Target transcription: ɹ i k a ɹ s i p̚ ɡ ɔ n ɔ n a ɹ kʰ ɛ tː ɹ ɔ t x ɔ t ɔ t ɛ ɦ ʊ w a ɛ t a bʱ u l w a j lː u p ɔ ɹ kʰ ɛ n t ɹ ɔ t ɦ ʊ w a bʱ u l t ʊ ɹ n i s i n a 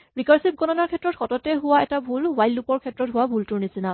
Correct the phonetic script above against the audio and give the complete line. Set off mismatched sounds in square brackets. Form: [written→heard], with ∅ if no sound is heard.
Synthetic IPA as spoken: ɹ i k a ɹ s i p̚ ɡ ɔ n ɔ n a ɹ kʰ ɛ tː ɹ ɔ t x ɔ t ɔ t ɛ ɦ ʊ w a ɛ t a bʱ u l w a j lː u p ɔ ɹ kʰ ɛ [n→∅] t ɹ ɔ t ɦ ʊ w a bʱ u l t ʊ ɹ n i s i n a

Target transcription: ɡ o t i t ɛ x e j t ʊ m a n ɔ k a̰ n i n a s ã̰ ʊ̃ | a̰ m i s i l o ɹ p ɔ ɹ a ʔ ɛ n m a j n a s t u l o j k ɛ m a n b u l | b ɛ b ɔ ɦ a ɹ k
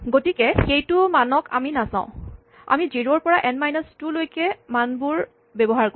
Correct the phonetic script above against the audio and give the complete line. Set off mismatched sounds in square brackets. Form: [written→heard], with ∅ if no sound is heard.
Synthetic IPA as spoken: ɡ o t i [t→k] ɛ x e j t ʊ m a n ɔ k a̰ [n→m] i n a s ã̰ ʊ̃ | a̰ m i [s→z] i [l→ɹ] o ɹ p ɔ ɹ a ʔ ɛ n m a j n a s t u l o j k ɛ m a n b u [l→ɹ] | b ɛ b ɔ ɦ a ɹ k

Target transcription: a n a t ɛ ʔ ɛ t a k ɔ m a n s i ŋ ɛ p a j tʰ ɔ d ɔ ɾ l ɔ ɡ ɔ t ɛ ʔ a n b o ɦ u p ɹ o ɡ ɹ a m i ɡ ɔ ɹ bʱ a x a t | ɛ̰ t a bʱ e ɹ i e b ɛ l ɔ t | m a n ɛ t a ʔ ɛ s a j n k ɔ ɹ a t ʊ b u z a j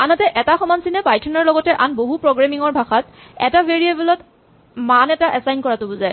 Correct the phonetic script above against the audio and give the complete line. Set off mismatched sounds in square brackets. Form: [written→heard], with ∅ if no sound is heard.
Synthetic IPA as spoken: a n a t ɛ ʔ ɛ t a [k→x] ɔ m a n s i [ŋ→n] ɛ p a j tʰ ɔ [d→n] ɔ [ɾ→ɹ] l ɔ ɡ ɔ t ɛ ʔ a n b o ɦ u p ɹ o ɡ ɹ a m i [ɡ→ŋ] ɔ ɹ bʱ a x a t | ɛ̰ t a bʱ e ɹ i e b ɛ l ɔ t | m a n ɛ t a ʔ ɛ s a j n k ɔ ɹ a t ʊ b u z a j

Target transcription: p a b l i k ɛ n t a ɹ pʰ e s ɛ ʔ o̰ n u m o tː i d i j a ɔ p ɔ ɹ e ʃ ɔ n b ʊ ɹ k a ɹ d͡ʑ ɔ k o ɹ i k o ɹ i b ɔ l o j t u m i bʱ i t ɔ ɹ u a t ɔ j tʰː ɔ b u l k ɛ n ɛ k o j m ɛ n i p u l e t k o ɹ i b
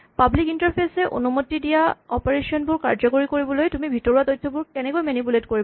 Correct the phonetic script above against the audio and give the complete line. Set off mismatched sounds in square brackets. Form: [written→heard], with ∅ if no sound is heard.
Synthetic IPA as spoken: p a b l i k [ɛ→i] n t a ɹ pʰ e s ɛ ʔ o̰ n u m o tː i d i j a ɔ p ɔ ɹ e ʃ ɔ n b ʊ ɹ k a ɹ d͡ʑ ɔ k o ɹ i k o ɹ i b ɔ l o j t u m i bʱ i t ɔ ɹ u a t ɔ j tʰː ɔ b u [l→ɹ] k ɛ n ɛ k o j m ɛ n i p u l e t k o ɹ i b

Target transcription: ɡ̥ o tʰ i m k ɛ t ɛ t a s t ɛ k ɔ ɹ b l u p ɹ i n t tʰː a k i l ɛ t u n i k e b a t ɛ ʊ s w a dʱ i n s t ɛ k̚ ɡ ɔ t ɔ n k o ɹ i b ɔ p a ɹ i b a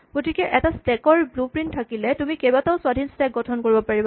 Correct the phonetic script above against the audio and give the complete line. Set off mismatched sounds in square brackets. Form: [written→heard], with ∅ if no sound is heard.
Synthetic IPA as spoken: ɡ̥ o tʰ i [m→∅] k ɛ [t→ʔ] ɛ t a s t ɛ k ɔ ɹ b l u p ɹ i n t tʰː a k i l ɛ t u [n→m] i k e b a t [ɛ→a] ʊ s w a dʱ i n s t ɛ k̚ ɡ ɔ [t→tʰ] ɔ n k o ɹ i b ɔ p a ɹ i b a

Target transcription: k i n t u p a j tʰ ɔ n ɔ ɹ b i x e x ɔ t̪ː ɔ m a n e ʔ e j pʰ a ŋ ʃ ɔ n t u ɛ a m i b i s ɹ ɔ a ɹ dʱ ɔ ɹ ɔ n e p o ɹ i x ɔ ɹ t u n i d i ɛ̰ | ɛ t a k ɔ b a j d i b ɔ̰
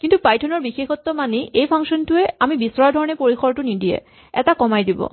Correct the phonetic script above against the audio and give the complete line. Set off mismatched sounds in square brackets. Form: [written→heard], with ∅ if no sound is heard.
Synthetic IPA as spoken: k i n t u p a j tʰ ɔ n ɔ ɹ b i x e x ɔ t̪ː ɔ m a n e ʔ e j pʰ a ŋ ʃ ɔ n t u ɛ a m i b i s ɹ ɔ a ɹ dʱ ɔ ɹ ɔ n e p o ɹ i x ɔ ɹ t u n i d i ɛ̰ | ɛ t a k ɔ [b→m] a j d i b ɔ̰

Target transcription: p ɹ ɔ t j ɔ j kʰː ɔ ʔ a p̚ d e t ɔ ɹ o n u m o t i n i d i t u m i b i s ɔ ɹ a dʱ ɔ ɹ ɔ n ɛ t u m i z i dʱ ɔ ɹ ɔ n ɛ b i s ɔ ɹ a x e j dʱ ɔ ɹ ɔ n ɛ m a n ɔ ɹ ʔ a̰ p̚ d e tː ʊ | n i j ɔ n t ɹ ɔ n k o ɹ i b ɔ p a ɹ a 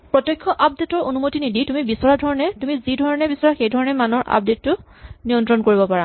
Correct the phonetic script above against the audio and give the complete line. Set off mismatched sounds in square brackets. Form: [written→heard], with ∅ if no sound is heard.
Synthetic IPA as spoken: p ɹ ɔ t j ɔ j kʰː ɔ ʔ a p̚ d e t ɔ ɹ o n u m o t i n i d i t u m i b i s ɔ ɹ a dʱ ɔ ɹ ɔ n ɛ t u m i z i dʱ ɔ ɹ ɔ n ɛ b i s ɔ ɹ a x e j dʱ ɔ ɹ ɔ n ɛ m a n ɔ ɹ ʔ a̰ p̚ d e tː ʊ | n i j ɔ n t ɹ ɔ n k o ɹ i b ɔ p a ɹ a

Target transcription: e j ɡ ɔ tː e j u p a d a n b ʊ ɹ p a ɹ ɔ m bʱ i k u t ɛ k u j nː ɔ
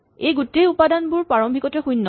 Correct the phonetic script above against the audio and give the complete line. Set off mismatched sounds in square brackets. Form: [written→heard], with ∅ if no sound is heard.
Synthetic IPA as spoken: e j ɡ [ɔ→u] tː e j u p a d a n b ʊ ɹ p a ɹ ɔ m bʱ i k [u→ɔ] t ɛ [k→x] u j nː ɔ

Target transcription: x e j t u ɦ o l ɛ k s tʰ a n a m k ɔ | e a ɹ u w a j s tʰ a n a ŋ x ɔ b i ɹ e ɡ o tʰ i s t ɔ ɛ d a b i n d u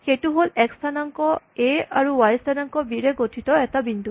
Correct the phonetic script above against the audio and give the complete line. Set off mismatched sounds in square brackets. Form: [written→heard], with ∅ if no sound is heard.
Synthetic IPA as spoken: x e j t u ɦ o l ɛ k s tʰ a n a [m→ŋ] k ɔ | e a ɹ u w a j s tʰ a n a ŋ [x→k] ɔ b i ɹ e ɡ o tʰ i [s→∅] t ɔ ɛ [d→t] a b i n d u

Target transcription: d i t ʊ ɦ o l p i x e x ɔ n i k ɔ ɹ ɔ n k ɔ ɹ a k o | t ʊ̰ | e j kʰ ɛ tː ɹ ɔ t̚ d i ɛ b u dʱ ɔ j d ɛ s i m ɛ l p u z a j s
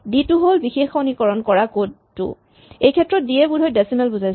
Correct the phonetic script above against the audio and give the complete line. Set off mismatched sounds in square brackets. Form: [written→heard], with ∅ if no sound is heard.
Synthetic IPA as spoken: d i t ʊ ɦ o l [p→b] i x e x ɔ n i k ɔ ɹ ɔ n k ɔ ɹ a k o | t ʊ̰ | e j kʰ ɛ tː ɹ ɔ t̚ d i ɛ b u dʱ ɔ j d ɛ s i m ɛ l [p→b] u z a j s

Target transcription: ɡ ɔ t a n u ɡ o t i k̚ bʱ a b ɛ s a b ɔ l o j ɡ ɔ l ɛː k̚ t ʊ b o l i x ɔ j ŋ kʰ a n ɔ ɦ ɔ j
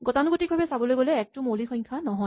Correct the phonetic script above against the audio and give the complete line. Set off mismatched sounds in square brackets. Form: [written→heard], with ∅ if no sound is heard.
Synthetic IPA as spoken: ɡ ɔ t a n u ɡ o t i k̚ bʱ a b ɛ s a b ɔ l o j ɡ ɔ l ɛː k̚ t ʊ [b→m] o l i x ɔ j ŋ kʰ a n ɔ ɦ ɔ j

